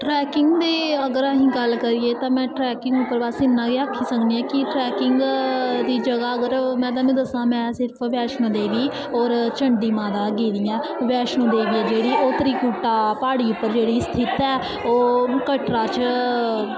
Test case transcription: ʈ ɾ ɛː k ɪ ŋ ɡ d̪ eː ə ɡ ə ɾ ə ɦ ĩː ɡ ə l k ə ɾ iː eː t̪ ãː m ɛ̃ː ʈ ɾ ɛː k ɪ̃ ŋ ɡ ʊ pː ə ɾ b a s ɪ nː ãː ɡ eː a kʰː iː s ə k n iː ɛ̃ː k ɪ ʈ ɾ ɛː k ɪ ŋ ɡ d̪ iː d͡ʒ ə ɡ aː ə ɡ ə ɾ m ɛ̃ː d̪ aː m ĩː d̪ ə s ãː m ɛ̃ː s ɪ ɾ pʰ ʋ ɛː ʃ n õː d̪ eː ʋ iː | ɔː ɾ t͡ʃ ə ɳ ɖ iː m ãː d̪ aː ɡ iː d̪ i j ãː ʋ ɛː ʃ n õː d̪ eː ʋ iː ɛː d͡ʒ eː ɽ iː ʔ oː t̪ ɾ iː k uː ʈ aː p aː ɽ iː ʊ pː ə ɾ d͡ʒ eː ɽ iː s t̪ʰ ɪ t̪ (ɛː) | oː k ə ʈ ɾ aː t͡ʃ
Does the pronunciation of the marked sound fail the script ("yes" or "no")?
no